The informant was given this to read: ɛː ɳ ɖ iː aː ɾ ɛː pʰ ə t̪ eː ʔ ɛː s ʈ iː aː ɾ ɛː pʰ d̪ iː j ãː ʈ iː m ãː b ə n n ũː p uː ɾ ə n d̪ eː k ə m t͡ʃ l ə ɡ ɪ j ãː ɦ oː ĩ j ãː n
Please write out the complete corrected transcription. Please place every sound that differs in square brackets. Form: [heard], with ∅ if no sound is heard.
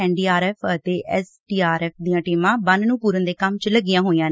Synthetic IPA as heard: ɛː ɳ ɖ iː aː ɾ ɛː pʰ ə t̪ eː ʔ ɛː s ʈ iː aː ɾ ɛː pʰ d̪ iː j ãː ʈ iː m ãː b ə n n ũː p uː ɾ ə n d̪ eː k ə m t͡ʃ l ə ɡ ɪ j ãː ɦ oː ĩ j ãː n